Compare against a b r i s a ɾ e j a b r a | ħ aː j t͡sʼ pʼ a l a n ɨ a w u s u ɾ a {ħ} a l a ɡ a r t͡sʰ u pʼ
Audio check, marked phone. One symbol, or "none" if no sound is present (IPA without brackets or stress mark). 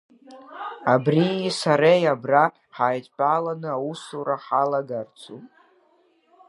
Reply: ħ